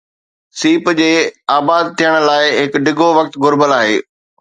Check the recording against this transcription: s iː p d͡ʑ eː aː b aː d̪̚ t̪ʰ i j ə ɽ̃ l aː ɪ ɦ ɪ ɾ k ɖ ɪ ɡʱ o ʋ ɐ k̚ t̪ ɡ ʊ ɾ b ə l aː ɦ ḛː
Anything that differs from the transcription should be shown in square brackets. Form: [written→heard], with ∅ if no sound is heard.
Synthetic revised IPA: s iː p d͡ʑ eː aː b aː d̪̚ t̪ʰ i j ə ɽ̃ l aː ɪ ɦ ɪ [ɾ→∅] k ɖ ɪ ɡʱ o ʋ ɐ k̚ t̪ ɡ ʊ ɾ b ə l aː ɦ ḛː